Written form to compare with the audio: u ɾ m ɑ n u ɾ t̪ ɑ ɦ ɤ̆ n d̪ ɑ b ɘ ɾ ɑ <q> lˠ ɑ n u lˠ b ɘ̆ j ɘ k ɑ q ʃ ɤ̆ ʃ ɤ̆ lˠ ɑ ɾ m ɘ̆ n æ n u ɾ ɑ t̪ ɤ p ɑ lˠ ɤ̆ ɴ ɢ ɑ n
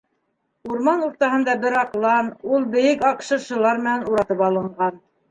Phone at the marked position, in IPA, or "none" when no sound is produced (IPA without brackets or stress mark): q